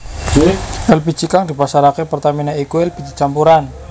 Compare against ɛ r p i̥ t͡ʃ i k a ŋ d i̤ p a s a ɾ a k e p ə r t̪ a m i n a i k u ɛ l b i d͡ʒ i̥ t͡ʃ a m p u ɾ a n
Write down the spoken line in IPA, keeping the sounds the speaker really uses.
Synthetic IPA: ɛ l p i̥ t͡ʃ i k a ŋ d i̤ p a s a ɾ a k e p ə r t̪ a m i n a i k u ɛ l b i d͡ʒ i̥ t͡ʃ a m p u ɾ a n